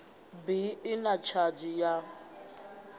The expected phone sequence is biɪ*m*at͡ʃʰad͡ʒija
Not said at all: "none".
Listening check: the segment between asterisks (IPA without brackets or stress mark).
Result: n